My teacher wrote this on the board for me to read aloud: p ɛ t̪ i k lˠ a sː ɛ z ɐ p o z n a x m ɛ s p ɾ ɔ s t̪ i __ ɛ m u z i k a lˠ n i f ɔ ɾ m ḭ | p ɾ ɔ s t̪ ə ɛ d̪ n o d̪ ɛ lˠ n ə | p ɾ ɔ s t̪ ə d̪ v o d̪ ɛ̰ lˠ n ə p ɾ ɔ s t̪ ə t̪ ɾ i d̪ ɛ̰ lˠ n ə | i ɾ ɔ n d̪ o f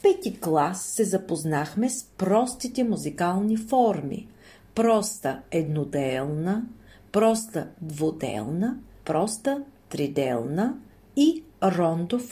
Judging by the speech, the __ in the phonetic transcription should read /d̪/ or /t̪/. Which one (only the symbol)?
t̪